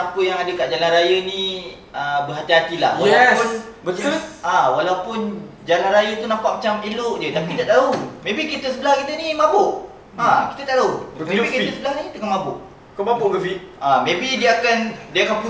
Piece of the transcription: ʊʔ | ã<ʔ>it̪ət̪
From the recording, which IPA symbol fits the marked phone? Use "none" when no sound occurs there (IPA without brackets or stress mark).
k